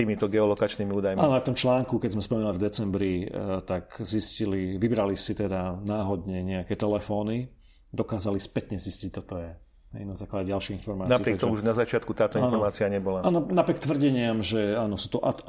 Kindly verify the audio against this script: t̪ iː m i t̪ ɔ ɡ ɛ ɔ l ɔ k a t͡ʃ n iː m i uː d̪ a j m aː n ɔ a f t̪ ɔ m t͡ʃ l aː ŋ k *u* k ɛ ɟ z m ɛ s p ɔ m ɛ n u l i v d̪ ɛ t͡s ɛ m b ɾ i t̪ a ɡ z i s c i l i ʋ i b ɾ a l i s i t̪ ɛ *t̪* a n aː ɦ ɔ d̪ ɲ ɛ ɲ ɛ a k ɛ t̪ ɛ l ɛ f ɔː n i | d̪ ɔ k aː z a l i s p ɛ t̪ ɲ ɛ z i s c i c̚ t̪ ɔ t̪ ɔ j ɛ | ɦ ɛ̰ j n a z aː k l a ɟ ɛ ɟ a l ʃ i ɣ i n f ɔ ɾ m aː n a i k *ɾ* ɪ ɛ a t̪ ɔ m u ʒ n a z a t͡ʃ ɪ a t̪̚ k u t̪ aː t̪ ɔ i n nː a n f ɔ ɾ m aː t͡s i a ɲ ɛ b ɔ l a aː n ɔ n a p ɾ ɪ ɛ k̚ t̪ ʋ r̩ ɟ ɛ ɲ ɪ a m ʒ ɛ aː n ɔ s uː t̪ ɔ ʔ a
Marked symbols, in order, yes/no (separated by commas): yes, no, yes